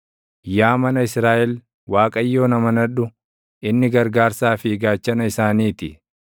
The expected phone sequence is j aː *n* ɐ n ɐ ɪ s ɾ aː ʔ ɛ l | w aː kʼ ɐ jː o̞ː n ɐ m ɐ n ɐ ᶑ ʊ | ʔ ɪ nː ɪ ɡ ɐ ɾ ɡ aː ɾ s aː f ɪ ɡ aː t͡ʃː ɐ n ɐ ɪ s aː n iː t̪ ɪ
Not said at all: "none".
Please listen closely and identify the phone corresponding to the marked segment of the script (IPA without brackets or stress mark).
m